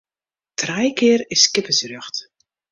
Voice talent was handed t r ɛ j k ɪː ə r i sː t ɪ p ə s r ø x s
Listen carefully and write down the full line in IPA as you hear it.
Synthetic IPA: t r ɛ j k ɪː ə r ɪ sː k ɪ p ə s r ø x t